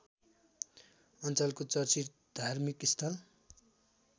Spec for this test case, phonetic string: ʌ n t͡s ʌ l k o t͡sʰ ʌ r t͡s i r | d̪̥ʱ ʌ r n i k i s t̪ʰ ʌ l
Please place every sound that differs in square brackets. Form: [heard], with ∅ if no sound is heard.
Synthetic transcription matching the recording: ʌ n t͡s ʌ l k o [t͡s] ʌ r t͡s i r | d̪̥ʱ [a] r [m] i k i s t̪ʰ ʌ l